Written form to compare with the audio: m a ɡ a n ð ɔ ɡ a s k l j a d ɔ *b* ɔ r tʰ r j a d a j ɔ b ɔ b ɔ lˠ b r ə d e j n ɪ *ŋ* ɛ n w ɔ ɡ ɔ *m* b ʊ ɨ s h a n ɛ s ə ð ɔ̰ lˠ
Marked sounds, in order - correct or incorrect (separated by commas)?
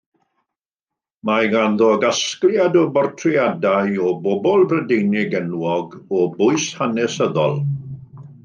correct, incorrect, incorrect